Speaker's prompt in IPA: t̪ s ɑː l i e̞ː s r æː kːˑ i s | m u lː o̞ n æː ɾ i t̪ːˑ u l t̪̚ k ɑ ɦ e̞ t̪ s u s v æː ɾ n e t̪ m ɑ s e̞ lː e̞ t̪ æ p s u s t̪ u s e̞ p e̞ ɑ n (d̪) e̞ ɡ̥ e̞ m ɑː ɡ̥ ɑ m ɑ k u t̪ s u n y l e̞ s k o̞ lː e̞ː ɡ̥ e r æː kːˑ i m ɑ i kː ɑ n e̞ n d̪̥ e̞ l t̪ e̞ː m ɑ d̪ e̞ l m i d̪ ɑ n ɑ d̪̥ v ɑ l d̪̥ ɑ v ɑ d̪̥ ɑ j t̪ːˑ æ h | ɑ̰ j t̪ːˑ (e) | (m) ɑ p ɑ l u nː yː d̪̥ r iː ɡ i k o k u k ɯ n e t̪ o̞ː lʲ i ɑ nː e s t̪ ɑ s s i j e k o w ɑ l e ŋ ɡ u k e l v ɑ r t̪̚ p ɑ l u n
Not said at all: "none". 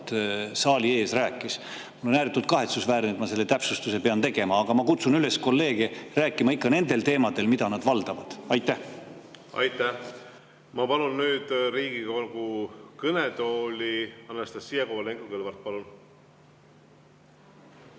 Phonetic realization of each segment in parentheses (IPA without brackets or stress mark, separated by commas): t̪, æ, m